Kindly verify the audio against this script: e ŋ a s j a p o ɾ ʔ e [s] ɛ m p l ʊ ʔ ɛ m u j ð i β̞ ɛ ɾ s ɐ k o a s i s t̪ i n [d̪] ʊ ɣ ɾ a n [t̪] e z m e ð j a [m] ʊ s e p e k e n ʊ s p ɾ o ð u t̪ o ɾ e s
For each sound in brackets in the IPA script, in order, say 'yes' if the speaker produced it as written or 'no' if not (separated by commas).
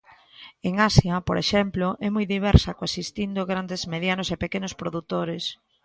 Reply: no, yes, no, no